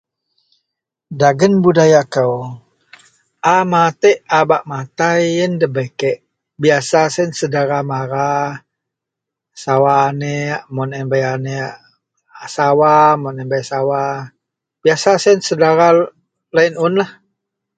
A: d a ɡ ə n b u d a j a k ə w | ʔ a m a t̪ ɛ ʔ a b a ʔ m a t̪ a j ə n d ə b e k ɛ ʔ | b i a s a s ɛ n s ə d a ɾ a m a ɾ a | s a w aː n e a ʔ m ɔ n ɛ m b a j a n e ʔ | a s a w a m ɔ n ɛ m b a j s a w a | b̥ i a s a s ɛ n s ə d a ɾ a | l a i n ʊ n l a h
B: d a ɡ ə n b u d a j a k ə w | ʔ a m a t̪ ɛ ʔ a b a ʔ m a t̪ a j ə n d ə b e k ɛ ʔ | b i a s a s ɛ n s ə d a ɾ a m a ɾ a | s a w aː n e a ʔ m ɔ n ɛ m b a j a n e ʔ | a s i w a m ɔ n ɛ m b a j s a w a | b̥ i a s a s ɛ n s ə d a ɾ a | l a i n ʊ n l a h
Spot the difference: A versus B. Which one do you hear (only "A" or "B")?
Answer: A